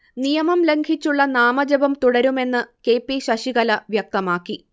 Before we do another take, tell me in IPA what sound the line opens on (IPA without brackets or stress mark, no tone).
n